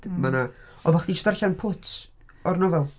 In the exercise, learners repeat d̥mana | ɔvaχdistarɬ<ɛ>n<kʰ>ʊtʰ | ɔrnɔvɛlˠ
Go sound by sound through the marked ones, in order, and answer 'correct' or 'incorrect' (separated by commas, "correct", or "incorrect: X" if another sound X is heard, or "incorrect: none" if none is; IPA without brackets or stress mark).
incorrect: a, incorrect: pʰ